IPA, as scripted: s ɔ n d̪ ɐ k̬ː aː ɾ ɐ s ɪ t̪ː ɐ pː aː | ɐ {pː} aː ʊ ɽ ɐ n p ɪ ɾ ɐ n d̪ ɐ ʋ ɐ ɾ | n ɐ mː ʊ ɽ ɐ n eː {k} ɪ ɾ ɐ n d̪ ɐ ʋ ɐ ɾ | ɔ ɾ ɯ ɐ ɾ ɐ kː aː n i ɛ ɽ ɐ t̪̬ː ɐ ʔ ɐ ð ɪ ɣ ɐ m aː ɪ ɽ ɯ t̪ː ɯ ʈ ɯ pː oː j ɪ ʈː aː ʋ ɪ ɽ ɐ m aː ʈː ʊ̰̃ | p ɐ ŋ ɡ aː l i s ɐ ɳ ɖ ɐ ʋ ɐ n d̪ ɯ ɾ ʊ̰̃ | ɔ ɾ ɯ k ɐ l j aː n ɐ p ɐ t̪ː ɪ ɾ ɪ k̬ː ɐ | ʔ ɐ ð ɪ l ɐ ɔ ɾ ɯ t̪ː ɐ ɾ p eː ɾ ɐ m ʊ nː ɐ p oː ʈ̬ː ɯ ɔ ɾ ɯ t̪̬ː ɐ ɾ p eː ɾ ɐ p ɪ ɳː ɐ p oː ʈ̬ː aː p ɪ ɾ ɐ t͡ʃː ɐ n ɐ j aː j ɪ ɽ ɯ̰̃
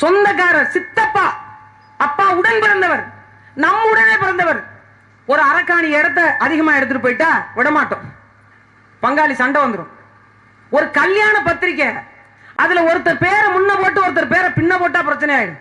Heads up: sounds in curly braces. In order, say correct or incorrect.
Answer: correct, incorrect

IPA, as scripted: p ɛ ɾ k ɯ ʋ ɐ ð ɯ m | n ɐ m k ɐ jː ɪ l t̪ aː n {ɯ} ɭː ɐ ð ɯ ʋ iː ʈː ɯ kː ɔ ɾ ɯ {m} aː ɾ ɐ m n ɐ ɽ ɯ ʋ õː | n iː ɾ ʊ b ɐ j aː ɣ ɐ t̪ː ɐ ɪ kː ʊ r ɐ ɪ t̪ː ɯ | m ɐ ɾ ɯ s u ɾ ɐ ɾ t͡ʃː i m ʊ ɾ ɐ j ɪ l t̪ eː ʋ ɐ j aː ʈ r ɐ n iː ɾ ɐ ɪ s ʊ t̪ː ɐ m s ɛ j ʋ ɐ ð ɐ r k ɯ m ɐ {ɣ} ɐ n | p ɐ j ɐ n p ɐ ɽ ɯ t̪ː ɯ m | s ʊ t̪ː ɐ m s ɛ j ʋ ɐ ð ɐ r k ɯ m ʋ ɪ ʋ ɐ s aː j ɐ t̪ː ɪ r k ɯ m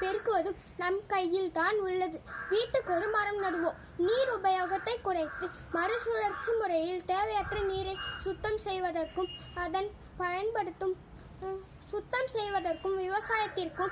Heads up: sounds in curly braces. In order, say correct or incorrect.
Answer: incorrect, correct, incorrect

